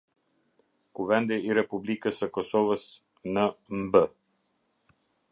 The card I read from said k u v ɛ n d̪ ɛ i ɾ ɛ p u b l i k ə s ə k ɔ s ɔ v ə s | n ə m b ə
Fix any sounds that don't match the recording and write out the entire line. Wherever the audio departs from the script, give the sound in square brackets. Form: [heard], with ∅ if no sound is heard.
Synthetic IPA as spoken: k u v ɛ n d̪ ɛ i ɾ ɛ p u b l i k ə s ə k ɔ s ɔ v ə s | n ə m b ə